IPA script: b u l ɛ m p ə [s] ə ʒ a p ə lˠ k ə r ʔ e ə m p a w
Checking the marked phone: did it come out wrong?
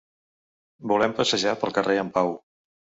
no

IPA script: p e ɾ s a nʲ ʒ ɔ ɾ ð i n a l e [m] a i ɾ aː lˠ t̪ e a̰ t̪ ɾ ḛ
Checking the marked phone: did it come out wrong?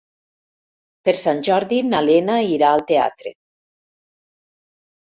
yes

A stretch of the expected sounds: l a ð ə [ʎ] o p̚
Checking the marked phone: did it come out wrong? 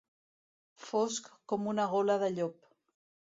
no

